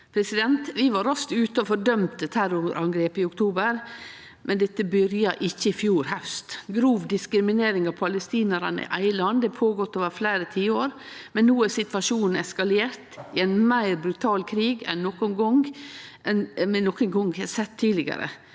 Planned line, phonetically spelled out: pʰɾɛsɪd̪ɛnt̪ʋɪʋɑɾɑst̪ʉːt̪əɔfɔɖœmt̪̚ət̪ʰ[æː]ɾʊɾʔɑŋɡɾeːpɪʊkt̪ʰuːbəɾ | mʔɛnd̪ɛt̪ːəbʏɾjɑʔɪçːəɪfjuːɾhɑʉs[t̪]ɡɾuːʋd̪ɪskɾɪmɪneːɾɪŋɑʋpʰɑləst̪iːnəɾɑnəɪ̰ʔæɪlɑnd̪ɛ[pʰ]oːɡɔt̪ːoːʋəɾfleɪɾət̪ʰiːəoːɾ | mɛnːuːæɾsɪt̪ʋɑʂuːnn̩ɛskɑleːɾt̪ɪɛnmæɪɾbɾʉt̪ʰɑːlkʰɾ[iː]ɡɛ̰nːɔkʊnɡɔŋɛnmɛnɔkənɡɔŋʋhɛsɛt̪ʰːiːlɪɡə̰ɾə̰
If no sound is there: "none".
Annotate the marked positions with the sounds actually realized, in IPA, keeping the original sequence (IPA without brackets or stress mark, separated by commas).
æ, t̪, pʰ, iː